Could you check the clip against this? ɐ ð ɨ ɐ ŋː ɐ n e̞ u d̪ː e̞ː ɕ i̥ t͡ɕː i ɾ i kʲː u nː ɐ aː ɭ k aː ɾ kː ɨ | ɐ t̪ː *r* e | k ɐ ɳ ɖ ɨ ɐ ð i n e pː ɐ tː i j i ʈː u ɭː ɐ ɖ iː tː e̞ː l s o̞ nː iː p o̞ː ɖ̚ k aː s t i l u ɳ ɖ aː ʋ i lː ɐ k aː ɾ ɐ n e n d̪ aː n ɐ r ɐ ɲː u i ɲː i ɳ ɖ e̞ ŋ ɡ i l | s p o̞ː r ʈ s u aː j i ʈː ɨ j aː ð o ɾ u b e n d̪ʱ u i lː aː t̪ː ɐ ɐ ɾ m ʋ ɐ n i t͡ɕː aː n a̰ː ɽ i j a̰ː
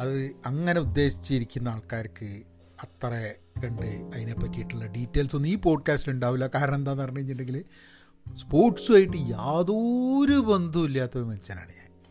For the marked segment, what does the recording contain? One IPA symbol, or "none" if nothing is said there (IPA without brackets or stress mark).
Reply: r